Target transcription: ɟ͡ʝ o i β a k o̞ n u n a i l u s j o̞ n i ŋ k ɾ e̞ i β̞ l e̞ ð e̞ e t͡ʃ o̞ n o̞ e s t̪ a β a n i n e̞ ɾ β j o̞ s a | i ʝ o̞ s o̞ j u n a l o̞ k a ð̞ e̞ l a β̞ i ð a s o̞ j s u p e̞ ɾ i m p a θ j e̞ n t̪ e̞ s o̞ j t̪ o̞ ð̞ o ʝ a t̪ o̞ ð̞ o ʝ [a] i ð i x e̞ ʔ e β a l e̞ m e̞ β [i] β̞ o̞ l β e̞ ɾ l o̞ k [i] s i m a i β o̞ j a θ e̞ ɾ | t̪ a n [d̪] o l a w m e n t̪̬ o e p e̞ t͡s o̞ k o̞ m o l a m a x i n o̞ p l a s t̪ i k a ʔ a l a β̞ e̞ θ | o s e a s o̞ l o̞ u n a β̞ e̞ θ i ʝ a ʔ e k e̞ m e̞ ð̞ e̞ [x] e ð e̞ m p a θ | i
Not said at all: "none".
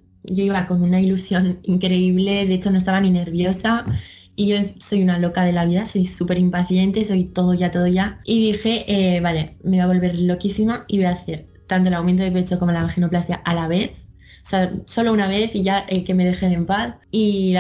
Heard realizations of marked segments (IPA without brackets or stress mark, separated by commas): a, a, i, t̪, x